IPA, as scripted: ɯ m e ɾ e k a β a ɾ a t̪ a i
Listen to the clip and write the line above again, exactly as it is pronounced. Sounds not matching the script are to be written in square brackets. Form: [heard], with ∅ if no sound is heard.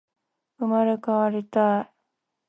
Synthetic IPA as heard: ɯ m [a] ɾ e k a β a ɾ [i] t̪ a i